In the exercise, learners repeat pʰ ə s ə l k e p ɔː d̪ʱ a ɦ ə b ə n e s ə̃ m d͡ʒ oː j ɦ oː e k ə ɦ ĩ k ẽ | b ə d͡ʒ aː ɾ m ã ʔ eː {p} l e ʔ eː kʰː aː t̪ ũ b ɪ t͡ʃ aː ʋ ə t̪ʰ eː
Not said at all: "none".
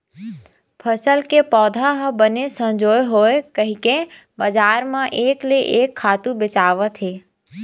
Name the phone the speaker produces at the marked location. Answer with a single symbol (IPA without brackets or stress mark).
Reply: k